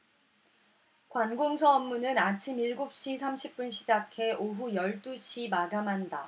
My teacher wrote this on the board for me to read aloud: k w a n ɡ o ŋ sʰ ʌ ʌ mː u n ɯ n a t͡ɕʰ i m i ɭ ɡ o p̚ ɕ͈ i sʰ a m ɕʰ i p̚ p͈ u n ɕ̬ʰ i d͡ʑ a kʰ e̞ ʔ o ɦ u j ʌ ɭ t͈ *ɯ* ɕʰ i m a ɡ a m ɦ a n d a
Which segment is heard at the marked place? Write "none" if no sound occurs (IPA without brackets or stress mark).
u